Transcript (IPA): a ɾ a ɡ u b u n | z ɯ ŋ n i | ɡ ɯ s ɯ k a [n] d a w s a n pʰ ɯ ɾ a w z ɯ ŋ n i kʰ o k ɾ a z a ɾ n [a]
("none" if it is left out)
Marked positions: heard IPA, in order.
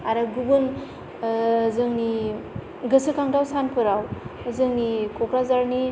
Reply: ŋ, i

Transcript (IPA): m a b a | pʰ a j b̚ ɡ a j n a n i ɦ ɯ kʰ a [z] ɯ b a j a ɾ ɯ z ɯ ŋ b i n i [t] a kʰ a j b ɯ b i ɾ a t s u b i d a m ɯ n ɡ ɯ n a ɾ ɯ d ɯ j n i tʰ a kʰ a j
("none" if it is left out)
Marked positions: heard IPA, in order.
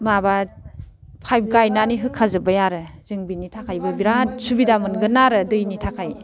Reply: z, tʰ

